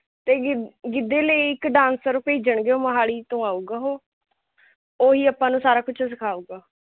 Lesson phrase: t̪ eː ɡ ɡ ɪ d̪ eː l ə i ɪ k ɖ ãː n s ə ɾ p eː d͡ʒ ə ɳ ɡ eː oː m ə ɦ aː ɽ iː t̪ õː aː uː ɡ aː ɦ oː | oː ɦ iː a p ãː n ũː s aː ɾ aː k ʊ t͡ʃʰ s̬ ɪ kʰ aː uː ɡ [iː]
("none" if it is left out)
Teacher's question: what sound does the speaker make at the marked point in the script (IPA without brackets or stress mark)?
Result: aː